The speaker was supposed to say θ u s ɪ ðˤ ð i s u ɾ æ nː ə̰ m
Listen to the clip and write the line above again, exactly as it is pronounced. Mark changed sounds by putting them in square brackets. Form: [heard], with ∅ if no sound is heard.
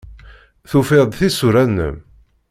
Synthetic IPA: θ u [f] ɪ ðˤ [θ] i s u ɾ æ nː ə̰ m